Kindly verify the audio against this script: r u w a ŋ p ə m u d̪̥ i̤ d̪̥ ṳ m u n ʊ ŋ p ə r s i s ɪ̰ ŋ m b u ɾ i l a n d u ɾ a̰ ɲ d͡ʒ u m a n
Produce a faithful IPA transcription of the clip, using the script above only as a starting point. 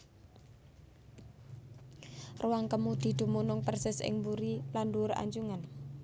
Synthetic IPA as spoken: r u w a ŋ k ə m u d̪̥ i̤ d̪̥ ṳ m u n ʊ ŋ p ə r s ɪ s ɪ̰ ŋ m b u ɾ i l a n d u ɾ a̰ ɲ d͡ʒ u ŋ a n